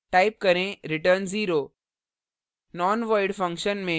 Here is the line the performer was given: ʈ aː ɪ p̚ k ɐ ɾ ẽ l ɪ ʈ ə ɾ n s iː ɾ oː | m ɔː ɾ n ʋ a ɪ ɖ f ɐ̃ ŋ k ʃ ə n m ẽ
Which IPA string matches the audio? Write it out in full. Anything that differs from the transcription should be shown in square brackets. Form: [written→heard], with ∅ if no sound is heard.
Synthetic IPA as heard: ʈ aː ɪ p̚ k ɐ ɾ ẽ [l→ɾ] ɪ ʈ ə ɾ n [s→z] iː ɾ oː | [m→n] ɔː [ɾ→∅] n ʋ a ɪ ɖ f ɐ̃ ŋ k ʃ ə n m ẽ